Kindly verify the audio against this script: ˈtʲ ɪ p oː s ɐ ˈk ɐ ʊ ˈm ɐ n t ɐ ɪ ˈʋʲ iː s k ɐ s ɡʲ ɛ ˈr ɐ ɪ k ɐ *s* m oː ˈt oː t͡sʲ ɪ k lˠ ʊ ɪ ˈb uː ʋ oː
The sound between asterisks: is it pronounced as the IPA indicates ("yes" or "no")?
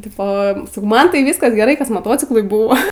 yes